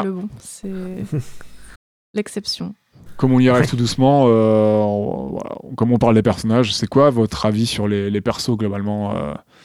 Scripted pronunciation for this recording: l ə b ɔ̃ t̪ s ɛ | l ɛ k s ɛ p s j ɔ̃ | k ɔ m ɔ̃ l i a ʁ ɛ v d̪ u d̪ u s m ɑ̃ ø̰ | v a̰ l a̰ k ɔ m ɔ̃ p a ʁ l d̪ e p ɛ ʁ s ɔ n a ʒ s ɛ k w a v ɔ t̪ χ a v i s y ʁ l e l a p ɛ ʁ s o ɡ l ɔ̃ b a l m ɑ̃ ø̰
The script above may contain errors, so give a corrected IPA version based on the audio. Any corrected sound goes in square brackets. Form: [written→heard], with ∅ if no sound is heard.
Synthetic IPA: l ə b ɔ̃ [t̪→∅] s ɛ | l ɛ k s ɛ p s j ɔ̃ | k ɔ m ɔ̃ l i a ʁ ɛ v [d̪→t̪] u d̪ u s m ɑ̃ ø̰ | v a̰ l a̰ k ɔ m ɔ̃ p a ʁ l d̪ e p ɛ ʁ s ɔ n a ʒ s ɛ k w a v ɔ t̪ χ a v i s y ʁ l e l [a→e] p ɛ ʁ s o ɡ l [ɔ̃→ɔ] b a l m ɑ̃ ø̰